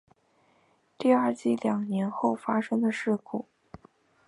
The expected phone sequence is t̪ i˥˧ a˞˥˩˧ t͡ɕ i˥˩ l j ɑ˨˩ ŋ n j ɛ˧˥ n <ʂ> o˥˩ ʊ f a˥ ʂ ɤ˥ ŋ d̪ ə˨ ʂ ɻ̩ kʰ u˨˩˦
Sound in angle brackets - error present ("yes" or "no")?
yes